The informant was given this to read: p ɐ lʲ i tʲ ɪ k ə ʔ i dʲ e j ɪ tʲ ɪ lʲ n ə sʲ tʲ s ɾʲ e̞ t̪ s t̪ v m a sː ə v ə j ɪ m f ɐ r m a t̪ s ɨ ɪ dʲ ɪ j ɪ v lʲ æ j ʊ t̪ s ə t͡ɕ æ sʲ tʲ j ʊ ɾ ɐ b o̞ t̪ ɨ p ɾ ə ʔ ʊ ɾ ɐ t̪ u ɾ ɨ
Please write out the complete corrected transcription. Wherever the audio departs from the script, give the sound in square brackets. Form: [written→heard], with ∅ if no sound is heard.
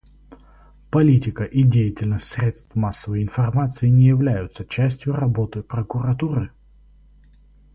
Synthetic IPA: p ɐ lʲ i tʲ ɪ k ə ʔ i dʲ e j ɪ tʲ ɪ lʲ n ə sʲ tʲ s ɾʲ e̞ t̪ s t̪ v m a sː ə v ə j ɪ [m→n] f ɐ r m a t̪ s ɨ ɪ [dʲ→nʲ] ɪ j ɪ v lʲ æ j ʊ t̪ s ə t͡ɕ æ sʲ tʲ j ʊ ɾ ɐ b o̞ t̪ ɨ p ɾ ə [ʔ→k] ʊ ɾ ɐ t̪ u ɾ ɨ